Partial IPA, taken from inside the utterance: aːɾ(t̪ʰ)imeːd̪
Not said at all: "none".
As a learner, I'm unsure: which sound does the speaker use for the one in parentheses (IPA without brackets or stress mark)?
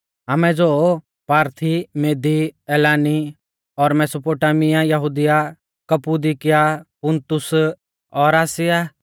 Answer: t̪ʰ